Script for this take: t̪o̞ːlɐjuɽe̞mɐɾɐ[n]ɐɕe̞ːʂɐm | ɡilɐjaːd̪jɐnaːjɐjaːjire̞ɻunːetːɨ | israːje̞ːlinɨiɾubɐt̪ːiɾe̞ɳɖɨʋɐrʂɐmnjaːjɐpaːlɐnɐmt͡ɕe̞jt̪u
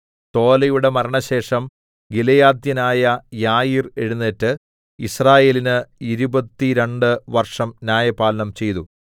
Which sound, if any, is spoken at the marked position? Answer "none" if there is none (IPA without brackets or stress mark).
ɳ